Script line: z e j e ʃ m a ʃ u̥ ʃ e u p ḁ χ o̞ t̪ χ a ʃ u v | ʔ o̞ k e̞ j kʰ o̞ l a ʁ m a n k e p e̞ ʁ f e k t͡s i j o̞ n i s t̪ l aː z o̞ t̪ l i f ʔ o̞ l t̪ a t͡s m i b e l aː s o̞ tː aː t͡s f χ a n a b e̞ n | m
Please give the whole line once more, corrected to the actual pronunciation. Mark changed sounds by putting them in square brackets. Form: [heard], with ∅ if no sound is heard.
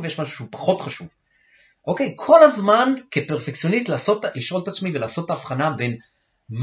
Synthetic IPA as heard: [v] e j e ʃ m a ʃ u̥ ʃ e u p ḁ χ o̞ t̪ χ a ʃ u v | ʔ o̞ k e̞ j kʰ o̞ l a [z] m a n k e p e̞ ʁ f e k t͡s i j o̞ n i s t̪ l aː [s] o̞ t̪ l i [ʃ] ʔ o̞ l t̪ a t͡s m i [v] e l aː s o̞ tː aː [∅] f χ a n a b e̞ n | m